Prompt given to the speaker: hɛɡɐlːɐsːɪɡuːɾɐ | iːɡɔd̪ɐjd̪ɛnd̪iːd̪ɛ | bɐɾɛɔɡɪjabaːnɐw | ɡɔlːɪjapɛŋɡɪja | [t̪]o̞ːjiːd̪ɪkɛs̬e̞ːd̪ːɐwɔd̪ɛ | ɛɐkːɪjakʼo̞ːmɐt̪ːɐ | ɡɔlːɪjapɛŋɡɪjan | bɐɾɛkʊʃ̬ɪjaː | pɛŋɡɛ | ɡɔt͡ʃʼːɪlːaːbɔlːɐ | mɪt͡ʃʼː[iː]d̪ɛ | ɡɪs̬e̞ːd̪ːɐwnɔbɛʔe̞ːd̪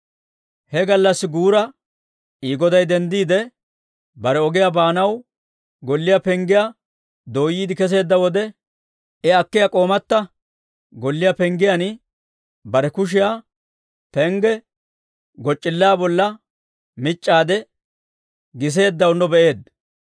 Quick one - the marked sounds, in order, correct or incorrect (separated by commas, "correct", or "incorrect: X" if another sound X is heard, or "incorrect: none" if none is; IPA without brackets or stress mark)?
incorrect: d̪, incorrect: aː